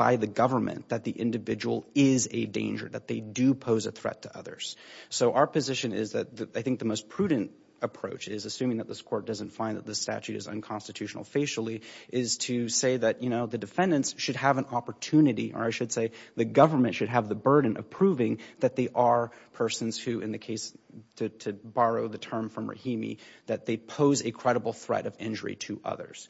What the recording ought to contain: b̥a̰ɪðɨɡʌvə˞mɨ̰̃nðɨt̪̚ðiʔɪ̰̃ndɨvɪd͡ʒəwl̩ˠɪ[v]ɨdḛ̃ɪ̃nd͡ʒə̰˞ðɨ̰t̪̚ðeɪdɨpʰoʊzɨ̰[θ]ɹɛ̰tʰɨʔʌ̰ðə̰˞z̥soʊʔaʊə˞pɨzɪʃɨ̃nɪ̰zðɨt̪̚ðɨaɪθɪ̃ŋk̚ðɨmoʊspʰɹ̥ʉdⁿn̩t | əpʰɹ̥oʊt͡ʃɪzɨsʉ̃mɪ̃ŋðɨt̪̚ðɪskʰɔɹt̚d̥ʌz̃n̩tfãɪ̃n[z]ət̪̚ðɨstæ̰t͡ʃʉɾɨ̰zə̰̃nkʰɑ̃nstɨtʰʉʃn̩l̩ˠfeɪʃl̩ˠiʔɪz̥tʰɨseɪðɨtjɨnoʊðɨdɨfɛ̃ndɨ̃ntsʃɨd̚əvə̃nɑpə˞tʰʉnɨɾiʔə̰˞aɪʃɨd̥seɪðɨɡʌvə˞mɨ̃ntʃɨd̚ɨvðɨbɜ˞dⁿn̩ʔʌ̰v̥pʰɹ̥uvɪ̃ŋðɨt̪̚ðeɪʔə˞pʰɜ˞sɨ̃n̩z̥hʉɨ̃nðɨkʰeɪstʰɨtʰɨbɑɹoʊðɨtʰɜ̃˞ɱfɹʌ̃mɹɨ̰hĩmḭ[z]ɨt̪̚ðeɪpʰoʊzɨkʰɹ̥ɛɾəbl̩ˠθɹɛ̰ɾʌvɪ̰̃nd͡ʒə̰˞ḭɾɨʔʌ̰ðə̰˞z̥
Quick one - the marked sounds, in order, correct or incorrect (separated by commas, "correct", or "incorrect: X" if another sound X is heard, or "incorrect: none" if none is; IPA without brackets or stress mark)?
incorrect: z, correct, incorrect: ð, incorrect: ð